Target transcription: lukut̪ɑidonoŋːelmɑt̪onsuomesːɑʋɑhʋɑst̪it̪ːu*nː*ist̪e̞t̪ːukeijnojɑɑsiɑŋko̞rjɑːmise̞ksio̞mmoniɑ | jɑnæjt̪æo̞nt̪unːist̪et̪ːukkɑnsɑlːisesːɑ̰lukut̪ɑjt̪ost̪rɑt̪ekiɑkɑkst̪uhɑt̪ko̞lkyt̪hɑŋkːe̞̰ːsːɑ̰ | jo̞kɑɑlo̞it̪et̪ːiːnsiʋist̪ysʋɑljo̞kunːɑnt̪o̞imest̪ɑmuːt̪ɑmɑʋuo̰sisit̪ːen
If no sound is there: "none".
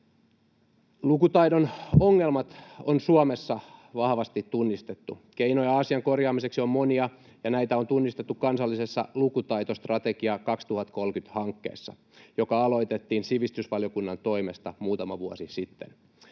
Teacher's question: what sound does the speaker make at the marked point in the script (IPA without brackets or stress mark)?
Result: nː